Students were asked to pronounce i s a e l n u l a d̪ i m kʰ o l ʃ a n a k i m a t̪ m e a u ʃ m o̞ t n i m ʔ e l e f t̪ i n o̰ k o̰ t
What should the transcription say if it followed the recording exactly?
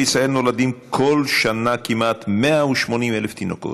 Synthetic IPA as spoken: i s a e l n o l a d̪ i m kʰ o l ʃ a n a k i m a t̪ m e a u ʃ m o̞ n i m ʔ e l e f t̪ i n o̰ k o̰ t